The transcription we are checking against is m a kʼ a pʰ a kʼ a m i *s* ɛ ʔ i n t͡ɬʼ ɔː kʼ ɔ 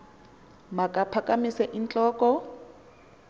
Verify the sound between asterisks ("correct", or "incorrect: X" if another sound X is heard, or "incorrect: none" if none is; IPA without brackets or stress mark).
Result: correct